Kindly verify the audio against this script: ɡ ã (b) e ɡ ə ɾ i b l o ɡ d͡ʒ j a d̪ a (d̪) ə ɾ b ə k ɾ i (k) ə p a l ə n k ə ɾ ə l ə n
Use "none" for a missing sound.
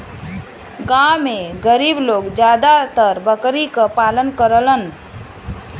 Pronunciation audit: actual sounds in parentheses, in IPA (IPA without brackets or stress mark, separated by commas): m, t̪, k